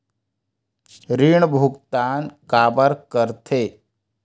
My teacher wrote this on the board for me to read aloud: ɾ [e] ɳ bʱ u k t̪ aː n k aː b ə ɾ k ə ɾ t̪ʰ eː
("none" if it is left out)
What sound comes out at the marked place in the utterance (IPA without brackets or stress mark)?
i